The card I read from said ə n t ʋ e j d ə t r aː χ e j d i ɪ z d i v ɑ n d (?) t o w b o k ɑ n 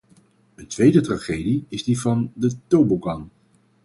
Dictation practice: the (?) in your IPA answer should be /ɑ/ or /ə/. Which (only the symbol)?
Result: ə